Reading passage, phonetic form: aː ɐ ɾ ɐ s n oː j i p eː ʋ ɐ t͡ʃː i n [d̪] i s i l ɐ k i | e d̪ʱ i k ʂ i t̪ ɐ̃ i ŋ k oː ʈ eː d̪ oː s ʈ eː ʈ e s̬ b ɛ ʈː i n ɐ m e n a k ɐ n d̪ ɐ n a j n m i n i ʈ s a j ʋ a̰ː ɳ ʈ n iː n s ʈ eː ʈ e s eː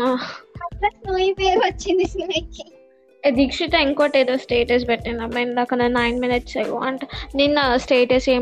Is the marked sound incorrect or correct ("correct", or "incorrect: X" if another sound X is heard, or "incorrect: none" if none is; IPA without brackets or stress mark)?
correct